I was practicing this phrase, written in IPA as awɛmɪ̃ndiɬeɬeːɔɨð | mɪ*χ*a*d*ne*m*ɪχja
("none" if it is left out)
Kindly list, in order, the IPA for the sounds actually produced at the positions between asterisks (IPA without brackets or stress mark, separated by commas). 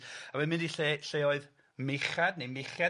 χ, d, m